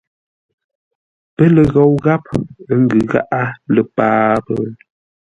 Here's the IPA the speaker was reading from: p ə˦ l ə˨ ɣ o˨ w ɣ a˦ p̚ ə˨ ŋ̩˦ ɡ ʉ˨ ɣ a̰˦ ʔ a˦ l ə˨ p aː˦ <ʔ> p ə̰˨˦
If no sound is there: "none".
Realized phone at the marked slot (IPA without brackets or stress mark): none